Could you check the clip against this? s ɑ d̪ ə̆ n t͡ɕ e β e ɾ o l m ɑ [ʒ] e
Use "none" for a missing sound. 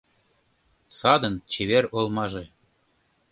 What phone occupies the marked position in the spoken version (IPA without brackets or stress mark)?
ʒ